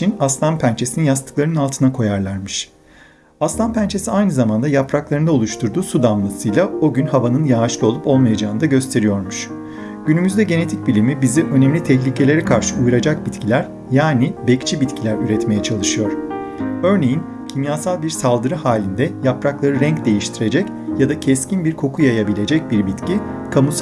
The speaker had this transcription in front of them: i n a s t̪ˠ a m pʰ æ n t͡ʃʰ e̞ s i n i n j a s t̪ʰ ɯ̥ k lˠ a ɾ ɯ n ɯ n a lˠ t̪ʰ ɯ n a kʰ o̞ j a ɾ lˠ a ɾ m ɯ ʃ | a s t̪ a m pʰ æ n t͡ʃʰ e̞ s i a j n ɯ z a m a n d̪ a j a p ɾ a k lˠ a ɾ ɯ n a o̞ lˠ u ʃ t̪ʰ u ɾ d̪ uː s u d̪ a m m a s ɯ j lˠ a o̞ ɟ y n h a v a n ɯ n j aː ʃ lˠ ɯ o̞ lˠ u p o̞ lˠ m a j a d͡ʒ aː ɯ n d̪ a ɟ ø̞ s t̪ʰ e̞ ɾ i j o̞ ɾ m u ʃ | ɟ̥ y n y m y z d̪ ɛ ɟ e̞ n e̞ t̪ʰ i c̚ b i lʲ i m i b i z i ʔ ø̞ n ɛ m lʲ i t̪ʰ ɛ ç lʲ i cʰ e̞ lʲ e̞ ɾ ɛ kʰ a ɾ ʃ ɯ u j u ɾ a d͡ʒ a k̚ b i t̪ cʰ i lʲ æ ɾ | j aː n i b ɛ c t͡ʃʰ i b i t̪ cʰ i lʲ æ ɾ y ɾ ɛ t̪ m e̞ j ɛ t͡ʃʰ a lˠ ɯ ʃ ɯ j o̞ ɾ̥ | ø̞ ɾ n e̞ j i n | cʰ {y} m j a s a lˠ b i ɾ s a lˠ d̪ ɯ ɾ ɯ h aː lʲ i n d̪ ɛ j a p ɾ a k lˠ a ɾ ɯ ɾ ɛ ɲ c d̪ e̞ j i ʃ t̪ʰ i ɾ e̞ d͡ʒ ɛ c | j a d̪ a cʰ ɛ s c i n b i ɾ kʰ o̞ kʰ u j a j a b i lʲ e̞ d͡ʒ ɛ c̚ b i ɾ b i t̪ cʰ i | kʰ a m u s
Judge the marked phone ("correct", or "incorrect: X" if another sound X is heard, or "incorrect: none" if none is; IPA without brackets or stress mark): incorrect: i